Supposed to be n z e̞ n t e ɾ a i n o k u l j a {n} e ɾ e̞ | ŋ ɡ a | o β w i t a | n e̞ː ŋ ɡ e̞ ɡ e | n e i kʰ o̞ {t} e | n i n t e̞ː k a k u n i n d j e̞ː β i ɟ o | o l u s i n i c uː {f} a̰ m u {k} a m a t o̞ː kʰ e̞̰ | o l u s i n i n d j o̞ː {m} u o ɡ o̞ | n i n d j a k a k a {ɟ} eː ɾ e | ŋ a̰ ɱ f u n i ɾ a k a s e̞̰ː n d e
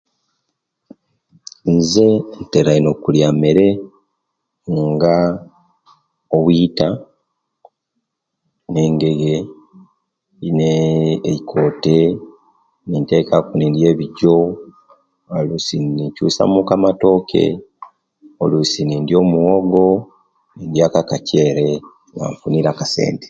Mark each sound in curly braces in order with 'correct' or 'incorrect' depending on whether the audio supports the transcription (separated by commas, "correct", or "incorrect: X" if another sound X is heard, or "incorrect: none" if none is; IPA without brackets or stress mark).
incorrect: m, correct, incorrect: s, correct, correct, incorrect: c